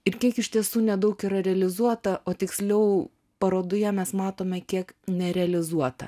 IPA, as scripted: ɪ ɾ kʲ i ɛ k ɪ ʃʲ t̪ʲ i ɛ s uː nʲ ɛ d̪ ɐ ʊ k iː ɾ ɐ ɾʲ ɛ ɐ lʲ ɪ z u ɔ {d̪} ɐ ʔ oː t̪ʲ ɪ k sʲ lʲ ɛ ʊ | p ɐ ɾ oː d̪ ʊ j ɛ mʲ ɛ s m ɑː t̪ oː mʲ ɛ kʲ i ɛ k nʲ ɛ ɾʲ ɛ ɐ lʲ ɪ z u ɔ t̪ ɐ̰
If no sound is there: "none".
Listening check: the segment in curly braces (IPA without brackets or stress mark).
t̪